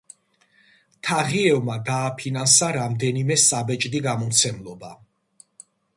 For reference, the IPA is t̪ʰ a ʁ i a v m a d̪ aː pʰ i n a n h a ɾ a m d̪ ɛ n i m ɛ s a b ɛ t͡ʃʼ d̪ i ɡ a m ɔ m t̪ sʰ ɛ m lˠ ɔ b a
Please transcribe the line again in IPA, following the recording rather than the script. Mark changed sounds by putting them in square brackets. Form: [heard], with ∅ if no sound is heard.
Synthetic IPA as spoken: t̪ʰ a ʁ i [ɛ] v m a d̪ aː pʰ i n a n [s] a ɾ a m d̪ ɛ n i m ɛ s a b ɛ t͡ʃʼ d̪ i ɡ a m ɔ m t̪ sʰ ɛ m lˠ ɔ b a